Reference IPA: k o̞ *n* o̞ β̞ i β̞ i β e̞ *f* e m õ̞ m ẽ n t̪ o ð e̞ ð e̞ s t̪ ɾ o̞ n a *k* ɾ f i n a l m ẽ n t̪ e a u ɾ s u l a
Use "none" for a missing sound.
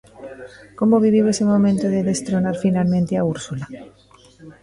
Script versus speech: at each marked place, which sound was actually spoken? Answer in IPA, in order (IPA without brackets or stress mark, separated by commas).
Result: m, s, none